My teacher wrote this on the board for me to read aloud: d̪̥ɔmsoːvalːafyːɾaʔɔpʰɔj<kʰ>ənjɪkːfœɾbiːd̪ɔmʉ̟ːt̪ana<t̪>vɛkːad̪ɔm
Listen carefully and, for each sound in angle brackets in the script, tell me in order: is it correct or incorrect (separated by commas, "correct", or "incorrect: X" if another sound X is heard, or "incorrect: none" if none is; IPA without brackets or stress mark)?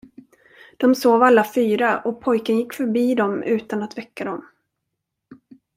incorrect: k, correct